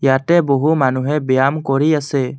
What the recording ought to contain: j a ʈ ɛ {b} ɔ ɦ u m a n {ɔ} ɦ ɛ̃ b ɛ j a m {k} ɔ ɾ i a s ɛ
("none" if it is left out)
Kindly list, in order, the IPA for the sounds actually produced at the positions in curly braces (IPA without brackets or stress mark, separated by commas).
b, u, k